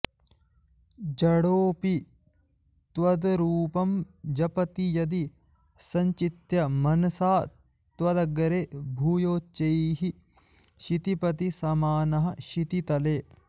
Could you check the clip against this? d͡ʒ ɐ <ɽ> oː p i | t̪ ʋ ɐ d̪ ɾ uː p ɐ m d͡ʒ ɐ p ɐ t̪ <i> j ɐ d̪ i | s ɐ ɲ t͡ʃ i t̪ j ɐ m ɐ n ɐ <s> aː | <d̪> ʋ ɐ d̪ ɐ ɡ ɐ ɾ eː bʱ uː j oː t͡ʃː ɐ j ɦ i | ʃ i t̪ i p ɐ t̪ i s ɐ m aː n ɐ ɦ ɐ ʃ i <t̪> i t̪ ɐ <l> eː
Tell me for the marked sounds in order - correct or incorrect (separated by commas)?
correct, correct, correct, incorrect, correct, correct